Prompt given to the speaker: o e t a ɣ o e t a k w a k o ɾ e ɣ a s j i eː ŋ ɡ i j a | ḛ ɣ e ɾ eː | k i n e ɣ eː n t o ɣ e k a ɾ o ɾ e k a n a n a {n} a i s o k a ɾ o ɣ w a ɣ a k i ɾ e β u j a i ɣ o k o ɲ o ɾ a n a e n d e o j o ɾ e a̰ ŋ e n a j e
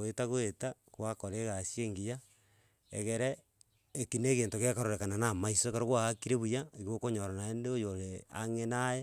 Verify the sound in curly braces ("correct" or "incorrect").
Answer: incorrect